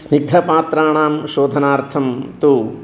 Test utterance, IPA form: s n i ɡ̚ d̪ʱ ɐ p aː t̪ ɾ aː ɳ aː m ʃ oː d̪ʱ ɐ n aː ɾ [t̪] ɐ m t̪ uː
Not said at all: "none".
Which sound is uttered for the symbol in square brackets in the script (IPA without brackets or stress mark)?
t̪ʰ